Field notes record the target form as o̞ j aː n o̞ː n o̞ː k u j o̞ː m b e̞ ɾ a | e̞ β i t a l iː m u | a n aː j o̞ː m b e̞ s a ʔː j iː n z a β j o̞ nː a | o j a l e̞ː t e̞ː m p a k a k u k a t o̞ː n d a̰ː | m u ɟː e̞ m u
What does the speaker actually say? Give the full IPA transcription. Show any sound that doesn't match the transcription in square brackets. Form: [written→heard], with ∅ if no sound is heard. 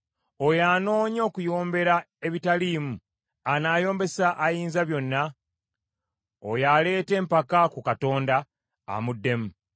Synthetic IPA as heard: o̞ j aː n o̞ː [n→ɲ] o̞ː k u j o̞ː m b e̞ ɾ a | e̞ β i t a l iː m u | a n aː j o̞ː m b e̞ s a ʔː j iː n z a β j o̞ nː a | o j a l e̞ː t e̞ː m p a k a k u k a t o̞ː n d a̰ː | m u [ɟː→dː] e̞ m u